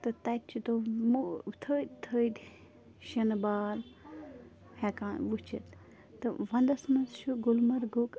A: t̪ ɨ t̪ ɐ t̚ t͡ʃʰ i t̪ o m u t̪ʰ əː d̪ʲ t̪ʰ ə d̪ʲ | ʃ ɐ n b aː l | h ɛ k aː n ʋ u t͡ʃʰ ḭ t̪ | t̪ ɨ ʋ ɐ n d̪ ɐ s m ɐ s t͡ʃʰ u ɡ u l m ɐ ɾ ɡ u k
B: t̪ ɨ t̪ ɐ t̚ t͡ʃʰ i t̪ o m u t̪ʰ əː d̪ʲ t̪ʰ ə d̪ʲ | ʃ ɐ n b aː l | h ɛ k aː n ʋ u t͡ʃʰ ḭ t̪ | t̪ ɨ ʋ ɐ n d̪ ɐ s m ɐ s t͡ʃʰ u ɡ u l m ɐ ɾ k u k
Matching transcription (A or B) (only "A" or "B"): A